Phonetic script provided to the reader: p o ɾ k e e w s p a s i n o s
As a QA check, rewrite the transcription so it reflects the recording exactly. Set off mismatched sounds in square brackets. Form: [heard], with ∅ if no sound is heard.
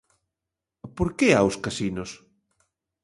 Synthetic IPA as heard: p o ɾ k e [a] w s [k] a s i n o s